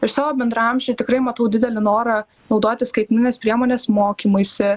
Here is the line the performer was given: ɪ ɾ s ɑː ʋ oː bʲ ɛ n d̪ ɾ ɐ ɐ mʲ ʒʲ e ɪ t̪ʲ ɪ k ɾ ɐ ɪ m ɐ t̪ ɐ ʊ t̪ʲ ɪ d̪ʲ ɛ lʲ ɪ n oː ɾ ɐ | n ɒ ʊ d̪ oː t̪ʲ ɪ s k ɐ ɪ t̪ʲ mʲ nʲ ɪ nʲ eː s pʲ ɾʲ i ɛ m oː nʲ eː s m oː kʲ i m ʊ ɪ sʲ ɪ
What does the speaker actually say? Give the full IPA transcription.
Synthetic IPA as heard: ɪ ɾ s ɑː ʋ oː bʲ ɛ n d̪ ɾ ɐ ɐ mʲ ʒʲ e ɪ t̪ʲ ɪ k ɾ ɐ ɪ m ɐ t̪ ɐ ʊ d̪ʲ ɪ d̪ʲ ɛ lʲ ɪ n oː ɾ ɐ | n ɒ ʊ d̪ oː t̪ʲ ɪ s k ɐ ɪ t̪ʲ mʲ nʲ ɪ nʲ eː s pʲ ɾʲ i ɛ m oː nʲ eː s m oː kʲ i m ʊ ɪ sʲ ɪ